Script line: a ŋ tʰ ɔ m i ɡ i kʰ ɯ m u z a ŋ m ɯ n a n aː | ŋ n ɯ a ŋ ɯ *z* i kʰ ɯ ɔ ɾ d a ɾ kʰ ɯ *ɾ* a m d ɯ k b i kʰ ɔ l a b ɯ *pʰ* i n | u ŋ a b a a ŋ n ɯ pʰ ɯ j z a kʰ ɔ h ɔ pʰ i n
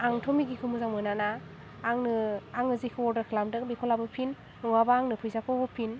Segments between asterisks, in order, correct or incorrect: correct, incorrect: l, correct

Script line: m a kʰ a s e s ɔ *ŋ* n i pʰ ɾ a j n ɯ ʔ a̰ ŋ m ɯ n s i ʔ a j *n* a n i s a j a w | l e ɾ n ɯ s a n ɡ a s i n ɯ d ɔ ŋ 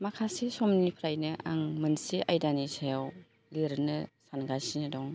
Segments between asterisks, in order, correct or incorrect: incorrect: m, incorrect: d

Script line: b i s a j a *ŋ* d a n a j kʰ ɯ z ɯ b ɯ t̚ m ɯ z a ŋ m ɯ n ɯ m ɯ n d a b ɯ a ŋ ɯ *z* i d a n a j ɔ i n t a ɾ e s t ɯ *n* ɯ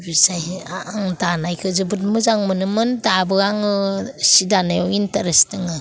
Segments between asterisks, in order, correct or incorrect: correct, incorrect: s, incorrect: ŋ

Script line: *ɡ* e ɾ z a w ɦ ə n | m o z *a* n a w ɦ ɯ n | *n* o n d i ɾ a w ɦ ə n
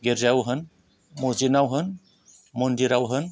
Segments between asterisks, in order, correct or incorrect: correct, incorrect: i, incorrect: m

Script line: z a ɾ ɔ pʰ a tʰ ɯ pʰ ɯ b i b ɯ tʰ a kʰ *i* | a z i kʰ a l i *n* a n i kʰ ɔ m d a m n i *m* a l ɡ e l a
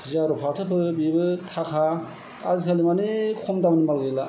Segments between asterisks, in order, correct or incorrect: incorrect: a, incorrect: m, correct

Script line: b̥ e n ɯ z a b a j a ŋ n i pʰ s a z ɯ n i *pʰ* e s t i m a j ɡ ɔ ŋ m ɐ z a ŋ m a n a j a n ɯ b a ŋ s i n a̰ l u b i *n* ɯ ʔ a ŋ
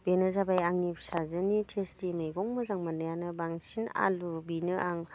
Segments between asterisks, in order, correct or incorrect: incorrect: tʰ, correct

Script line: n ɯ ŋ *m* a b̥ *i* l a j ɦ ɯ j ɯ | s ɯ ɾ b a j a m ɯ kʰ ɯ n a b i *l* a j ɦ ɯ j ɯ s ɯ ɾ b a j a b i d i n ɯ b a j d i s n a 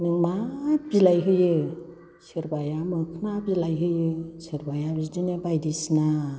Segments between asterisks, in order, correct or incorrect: correct, correct, correct

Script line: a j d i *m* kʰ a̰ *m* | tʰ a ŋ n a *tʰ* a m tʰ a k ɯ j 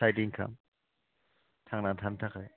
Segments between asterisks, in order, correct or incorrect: incorrect: ŋ, correct, correct

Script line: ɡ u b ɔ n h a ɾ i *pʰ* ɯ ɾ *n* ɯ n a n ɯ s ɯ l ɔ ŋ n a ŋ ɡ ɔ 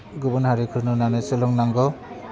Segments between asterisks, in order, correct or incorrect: incorrect: kʰ, correct

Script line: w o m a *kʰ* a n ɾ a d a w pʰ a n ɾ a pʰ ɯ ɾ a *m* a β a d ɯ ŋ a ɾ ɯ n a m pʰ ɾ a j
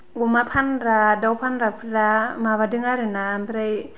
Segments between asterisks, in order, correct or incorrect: incorrect: pʰ, correct

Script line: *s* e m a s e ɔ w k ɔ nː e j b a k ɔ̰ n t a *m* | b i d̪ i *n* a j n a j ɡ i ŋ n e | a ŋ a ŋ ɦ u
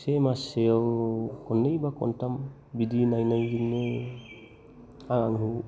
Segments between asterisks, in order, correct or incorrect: correct, correct, correct

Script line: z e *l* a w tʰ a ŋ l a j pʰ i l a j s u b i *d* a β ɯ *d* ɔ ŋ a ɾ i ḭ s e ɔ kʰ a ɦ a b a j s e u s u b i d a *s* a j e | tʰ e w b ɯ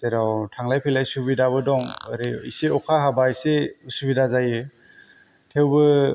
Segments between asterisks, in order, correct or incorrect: incorrect: ɾ, correct, correct, incorrect: z

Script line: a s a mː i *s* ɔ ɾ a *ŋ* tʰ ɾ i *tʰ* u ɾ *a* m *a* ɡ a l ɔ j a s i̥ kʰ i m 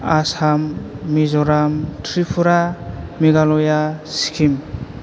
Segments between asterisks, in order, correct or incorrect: incorrect: z, incorrect: m, incorrect: pʰ, correct, incorrect: i

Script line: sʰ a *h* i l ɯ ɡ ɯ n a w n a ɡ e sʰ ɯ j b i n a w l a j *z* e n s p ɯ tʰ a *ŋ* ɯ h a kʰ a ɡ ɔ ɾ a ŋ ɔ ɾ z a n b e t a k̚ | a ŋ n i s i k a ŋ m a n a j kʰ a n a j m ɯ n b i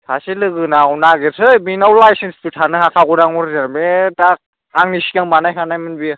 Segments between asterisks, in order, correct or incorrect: incorrect: s, incorrect: s, incorrect: n

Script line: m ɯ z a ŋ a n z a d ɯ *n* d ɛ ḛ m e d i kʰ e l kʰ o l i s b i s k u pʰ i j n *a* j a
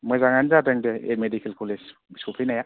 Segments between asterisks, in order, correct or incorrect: incorrect: ŋ, correct

